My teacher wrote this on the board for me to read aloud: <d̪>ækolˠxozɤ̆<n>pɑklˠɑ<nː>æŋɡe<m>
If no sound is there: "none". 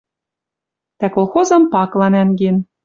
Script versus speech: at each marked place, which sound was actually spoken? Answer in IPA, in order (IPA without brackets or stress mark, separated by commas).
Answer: t̪, m, n, n